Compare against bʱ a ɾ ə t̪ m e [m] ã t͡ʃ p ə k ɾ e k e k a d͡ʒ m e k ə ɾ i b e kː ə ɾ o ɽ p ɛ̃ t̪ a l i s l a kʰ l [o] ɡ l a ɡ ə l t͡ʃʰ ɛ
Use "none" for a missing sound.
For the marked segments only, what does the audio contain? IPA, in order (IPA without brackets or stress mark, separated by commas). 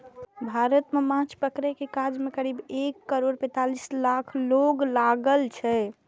m, o